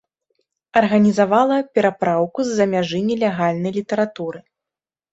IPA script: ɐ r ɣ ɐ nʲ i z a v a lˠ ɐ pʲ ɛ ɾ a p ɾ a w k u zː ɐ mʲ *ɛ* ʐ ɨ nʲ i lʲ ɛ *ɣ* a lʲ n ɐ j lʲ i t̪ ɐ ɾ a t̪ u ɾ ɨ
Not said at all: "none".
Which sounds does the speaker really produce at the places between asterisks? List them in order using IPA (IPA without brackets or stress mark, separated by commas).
a, ɣ